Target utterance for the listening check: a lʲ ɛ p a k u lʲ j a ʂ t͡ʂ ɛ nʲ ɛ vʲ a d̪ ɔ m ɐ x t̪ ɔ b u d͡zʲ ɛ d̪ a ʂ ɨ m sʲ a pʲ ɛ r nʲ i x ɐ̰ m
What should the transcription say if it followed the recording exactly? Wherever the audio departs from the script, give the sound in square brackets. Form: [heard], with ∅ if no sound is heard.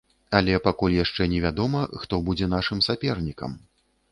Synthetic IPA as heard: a lʲ ɛ p a k u lʲ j a ʂ t͡ʂ ɛ nʲ ɛ vʲ a d̪ ɔ m ɐ x t̪ ɔ b u d͡zʲ ɛ [n̪] a ʂ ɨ m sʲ a pʲ ɛ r nʲ i [k] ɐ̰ m